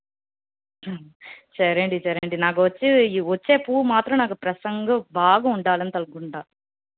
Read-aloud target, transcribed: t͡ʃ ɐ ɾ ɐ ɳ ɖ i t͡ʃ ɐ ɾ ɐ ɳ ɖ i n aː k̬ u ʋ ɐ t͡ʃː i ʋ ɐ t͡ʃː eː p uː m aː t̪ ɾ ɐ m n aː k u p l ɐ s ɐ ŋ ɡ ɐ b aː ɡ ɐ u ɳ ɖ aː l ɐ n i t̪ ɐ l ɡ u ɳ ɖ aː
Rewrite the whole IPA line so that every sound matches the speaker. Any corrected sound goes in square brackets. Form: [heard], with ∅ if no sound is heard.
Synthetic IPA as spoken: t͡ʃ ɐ ɾ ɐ ɳ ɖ i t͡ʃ ɐ ɾ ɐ ɳ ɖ i n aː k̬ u ʋ ɐ t͡ʃː i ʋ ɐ t͡ʃː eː p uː m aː t̪ ɾ ɐ m n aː k u p [ɾ] ɐ s ɐ ŋ ɡ ɐ b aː ɡ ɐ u ɳ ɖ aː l ɐ n i t̪ ɐ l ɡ u ɳ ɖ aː

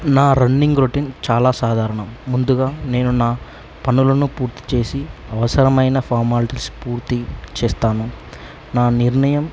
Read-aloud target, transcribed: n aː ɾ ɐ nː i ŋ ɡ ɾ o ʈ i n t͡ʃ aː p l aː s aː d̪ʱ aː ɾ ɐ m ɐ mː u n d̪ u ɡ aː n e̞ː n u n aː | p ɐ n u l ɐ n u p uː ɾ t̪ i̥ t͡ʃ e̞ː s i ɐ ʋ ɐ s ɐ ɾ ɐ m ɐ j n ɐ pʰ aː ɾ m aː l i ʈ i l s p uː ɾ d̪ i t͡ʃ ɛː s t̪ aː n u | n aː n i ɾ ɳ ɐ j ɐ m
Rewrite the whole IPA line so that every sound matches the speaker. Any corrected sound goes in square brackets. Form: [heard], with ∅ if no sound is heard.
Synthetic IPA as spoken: n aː ɾ ɐ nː i ŋ ɡ ɾ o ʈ i n t͡ʃ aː [∅] l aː s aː d̪ʱ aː ɾ ɐ [ɳ] ɐ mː u n d̪ u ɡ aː n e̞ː n u n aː | p ɐ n u l ɐ n u p uː ɾ t̪ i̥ t͡ʃ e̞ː s i ɐ ʋ ɐ s ɐ ɾ ɐ m ɐ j n ɐ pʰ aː ɾ m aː l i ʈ i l s p uː ɾ [t̪] i t͡ʃ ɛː s t̪ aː n u | n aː n i ɾ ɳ ɐ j ɐ m

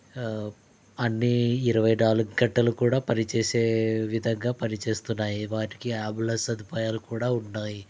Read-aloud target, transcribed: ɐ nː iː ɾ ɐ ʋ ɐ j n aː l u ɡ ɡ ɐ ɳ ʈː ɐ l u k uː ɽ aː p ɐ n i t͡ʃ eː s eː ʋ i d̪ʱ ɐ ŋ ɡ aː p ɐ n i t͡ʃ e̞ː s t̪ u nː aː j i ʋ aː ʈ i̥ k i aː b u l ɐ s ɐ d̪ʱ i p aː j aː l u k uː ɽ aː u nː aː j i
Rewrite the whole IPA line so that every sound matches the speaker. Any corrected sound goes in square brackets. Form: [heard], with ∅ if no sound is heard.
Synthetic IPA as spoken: ɐ nː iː ɾ ɐ ʋ ɐ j n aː l u ɡ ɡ ɐ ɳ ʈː ɐ l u k uː ɽ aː p ɐ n i t͡ʃ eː s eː ʋ i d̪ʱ ɐ ŋ ɡ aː p ɐ n i t͡ʃ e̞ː s t̪ u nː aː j i ʋ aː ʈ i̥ k i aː b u l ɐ s ɐ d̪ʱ i p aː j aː l u k uː ɽ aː u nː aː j i

